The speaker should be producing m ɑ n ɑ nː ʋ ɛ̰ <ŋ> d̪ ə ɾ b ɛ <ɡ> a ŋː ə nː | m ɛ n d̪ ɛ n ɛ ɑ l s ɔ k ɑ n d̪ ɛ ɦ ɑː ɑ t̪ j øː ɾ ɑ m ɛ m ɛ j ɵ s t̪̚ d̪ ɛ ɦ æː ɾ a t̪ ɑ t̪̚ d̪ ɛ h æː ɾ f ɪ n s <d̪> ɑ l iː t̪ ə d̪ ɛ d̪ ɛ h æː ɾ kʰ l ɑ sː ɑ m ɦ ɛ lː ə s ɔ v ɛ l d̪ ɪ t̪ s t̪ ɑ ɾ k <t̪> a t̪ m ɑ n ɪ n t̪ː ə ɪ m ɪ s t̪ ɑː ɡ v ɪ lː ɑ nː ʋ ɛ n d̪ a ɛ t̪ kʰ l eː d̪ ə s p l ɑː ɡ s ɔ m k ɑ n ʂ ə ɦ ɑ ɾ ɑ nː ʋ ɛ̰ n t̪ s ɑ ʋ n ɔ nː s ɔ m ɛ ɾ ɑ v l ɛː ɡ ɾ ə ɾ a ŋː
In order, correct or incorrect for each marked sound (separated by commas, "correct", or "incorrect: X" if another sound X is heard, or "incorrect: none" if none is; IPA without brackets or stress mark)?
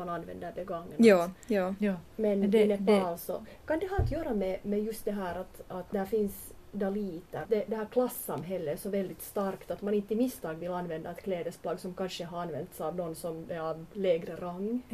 incorrect: n, correct, correct, correct